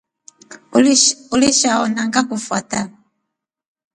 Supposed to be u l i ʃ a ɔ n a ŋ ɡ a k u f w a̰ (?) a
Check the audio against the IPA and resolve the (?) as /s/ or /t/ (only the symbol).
t